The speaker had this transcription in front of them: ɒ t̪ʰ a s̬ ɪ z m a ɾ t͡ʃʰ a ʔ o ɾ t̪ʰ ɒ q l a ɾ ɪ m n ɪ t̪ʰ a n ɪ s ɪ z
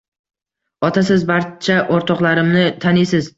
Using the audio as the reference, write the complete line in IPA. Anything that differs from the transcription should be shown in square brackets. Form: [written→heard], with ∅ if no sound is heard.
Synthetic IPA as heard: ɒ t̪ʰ a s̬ ɪ z [m→b] a ɾ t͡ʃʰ a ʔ o ɾ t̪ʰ ɒ q l a ɾ ɪ m n ɪ t̪ʰ a n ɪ s ɪ z